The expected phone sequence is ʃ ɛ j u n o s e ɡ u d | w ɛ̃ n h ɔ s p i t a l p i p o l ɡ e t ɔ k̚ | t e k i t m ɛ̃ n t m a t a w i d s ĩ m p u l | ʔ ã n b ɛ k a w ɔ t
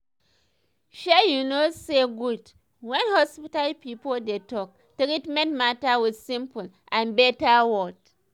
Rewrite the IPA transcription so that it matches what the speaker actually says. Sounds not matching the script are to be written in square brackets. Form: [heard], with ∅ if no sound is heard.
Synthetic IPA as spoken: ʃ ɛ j u n o s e ɡ u d | w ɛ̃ n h ɔ s p i t a l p i p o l [d] e t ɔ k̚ | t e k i t m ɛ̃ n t m a t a w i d s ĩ m p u l | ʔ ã n b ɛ [t] a w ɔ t